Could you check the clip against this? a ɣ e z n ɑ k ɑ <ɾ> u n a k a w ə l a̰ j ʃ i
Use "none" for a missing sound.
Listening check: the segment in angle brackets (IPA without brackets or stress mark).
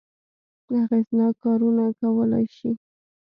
ɾ